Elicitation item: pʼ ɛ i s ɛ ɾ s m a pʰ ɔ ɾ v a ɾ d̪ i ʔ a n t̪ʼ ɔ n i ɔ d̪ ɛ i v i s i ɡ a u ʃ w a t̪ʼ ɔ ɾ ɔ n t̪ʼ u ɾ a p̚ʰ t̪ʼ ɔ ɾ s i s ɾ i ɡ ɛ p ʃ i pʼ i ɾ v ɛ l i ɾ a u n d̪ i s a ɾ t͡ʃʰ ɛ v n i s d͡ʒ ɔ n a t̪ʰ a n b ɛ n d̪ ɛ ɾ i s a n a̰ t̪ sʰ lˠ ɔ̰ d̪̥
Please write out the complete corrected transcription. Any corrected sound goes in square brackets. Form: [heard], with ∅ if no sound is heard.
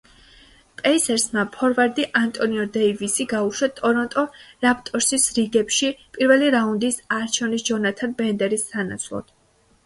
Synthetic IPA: pʼ ɛ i s ɛ ɾ s m a pʰ ɔ ɾ v a ɾ d̪ i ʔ a n t̪ʼ ɔ n i ɔ d̪ ɛ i v i s i ɡ a u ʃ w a t̪ʼ ɔ ɾ ɔ n t̪ʼ [ɔ] ɾ a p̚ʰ t̪ʼ ɔ ɾ s i s ɾ i ɡ ɛ p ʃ i pʼ i ɾ v ɛ l i ɾ a u n d̪ i s a ɾ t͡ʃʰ ɛ v n i s d͡ʒ ɔ n a t̪ʰ a n b ɛ n d̪ ɛ ɾ i s a n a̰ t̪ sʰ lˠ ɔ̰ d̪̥

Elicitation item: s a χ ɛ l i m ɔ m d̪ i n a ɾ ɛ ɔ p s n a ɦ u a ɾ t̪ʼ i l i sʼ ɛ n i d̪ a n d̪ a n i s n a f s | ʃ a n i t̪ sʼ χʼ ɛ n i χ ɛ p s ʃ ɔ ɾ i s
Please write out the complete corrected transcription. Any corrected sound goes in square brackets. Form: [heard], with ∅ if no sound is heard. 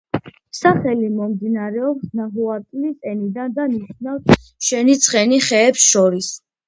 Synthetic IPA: s a χ ɛ l i m ɔ m d̪ i n a ɾ ɛ ɔ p s n a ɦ u a ɾ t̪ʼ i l i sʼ ɛ n i d̪ a n d̪ a n i [ʃ] n a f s | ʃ [ɛ] n i t̪ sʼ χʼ ɛ n i χ [ɛː] p s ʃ ɔ ɾ i s

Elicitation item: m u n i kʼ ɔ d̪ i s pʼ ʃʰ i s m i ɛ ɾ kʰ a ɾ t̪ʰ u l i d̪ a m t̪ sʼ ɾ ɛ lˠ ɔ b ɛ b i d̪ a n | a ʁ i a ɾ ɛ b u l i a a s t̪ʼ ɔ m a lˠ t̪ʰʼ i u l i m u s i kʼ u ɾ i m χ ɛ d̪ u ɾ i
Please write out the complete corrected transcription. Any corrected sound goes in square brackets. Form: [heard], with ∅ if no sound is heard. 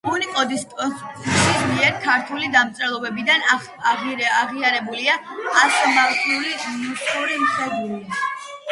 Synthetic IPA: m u n i kʼ ɔ d̪ i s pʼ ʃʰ i s m i ɛ ɾ kʰ a ɾ t̪ʰ u l i d̪ a m t̪ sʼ ɾ ɛ lˠ ɔ b ɛ b i d̪ a n | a ʁ i a ɾ ɛ b u l i a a s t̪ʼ ɔ m a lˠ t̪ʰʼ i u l i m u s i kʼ u ɾ i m χ ɛ d̪ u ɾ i

